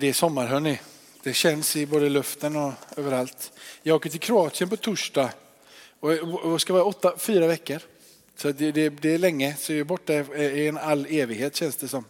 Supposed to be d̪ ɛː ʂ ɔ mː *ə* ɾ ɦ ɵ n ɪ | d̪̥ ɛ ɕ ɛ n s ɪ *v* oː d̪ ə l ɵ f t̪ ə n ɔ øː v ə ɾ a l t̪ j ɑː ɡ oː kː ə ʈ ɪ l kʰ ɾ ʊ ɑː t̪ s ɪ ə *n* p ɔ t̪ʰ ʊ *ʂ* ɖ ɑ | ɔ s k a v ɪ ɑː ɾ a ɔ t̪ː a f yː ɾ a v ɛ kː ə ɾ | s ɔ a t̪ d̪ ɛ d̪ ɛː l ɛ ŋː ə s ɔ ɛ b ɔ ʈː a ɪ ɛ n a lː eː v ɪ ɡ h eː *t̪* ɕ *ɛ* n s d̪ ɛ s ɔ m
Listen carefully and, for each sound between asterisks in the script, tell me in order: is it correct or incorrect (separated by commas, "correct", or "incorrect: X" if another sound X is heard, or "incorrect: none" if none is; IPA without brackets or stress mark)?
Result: incorrect: a, incorrect: b, correct, correct, correct, correct